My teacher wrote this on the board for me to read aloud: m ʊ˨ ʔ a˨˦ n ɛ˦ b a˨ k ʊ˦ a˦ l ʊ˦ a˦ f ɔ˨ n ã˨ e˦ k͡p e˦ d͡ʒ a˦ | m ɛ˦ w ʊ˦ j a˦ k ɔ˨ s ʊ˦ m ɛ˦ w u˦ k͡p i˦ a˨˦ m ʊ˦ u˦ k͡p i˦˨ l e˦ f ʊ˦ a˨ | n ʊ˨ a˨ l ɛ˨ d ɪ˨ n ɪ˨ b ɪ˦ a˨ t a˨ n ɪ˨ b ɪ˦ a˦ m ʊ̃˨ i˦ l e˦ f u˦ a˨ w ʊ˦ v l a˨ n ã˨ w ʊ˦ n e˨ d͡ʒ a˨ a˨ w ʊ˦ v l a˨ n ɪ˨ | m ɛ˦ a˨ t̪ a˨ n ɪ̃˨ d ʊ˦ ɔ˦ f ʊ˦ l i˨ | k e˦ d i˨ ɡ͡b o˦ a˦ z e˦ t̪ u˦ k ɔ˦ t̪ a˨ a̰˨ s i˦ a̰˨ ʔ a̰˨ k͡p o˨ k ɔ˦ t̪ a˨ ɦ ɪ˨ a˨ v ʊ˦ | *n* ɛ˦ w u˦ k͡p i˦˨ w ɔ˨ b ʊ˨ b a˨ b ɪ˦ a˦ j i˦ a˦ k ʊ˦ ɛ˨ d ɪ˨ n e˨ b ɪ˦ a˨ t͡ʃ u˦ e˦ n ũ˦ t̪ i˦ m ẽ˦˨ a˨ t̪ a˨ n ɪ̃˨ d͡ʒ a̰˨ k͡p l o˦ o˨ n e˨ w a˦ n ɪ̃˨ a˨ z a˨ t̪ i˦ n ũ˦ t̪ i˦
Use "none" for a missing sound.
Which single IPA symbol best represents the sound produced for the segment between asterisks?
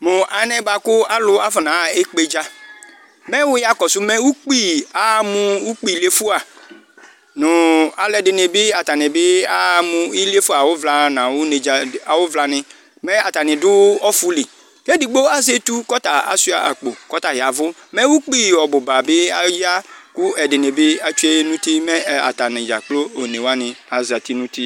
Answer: m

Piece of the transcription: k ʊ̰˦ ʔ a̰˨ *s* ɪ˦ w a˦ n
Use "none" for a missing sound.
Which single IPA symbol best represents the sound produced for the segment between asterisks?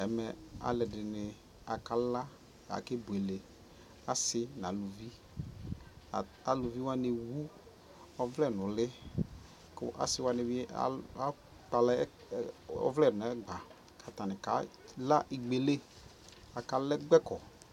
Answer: s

